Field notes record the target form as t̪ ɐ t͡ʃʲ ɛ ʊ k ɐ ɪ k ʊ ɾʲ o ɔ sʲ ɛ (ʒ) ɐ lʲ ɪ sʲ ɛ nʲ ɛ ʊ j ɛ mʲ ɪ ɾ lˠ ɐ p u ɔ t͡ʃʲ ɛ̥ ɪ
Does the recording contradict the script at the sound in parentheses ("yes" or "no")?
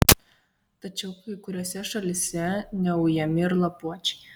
yes